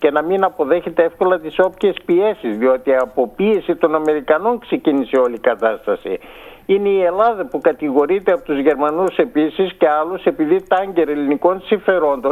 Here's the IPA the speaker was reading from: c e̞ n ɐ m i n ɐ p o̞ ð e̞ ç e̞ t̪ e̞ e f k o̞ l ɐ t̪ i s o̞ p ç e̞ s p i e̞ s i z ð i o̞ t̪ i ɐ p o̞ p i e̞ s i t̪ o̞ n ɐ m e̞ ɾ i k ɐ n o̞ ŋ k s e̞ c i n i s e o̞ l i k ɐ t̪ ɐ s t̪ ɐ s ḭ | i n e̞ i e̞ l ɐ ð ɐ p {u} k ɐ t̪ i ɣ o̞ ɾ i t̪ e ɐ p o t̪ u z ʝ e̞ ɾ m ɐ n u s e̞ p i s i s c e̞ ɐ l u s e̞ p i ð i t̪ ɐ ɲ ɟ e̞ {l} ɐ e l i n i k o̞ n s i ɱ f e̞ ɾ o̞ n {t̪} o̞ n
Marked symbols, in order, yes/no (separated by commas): yes, no, no